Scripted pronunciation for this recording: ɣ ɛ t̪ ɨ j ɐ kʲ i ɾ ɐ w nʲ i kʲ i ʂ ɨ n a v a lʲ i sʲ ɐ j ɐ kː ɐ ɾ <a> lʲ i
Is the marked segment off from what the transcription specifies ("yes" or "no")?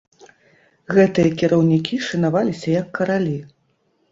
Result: no